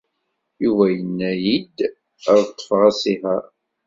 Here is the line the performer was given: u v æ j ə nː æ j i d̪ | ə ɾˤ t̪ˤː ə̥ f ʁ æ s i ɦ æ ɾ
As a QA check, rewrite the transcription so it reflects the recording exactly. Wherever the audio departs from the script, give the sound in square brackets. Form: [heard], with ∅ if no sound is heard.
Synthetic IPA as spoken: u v æ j ə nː æ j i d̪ | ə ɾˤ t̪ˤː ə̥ f ʁ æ s i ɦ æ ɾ